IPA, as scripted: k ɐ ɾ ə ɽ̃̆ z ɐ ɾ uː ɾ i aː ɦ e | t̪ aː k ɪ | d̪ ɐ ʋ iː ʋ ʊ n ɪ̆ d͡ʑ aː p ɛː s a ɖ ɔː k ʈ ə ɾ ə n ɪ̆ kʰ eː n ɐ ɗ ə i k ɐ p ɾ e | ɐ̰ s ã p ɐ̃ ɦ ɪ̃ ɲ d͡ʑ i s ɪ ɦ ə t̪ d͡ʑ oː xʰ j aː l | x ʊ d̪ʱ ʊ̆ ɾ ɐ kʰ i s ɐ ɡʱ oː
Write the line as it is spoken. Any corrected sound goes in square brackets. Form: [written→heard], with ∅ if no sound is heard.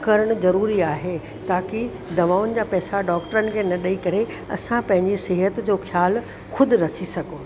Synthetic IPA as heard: k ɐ ɾ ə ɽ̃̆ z ɐ ɾ uː ɾ i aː ɦ e | t̪ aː k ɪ | d̪ ɐ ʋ [iː→aː] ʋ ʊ n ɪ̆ d͡ʑ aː p ɛː s a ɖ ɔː k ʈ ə ɾ ə n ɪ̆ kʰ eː n ɐ ɗ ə i k ɐ [p→∅] ɾ e | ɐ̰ s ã p ɐ̃ ɦ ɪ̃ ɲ d͡ʑ i s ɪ ɦ ə t̪ d͡ʑ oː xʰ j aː l | x ʊ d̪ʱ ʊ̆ ɾ ɐ kʰ i s ɐ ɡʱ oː